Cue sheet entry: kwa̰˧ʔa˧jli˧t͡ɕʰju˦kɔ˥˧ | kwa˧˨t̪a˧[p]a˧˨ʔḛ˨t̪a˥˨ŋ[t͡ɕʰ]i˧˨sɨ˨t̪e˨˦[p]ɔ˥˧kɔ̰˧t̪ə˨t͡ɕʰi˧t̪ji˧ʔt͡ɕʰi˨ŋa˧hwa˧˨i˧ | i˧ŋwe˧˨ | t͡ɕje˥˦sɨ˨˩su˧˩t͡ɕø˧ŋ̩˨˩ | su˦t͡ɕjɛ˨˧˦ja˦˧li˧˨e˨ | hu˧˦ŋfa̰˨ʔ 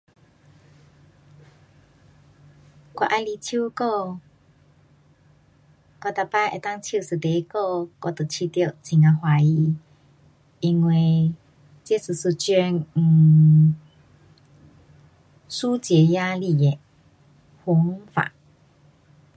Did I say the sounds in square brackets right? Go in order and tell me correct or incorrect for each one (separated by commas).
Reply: correct, correct, incorrect